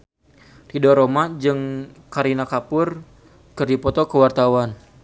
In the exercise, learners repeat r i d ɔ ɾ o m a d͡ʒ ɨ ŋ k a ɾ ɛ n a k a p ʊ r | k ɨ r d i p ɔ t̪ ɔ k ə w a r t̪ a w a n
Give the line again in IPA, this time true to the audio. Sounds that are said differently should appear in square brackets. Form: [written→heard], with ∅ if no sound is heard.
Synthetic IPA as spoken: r i d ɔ ɾ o m a d͡ʒ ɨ ŋ k a ɾ [ɛ→i] n a k a p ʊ r | k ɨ r d i p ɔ t̪ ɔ k ə w a r t̪ a w a n